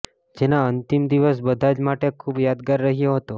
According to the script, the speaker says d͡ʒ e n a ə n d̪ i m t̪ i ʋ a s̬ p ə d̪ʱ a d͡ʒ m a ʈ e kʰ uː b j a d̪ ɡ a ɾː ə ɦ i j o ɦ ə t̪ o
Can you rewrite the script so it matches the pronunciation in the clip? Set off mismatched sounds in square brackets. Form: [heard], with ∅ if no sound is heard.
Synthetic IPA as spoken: d͡ʒ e n a ə n [t̪] i m [d̪] i ʋ [ə] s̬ [b] ə d̪ʱ a d͡ʒ m a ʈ e kʰ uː b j a d̪ ɡ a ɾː ə ɦ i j o ɦ ə t̪ o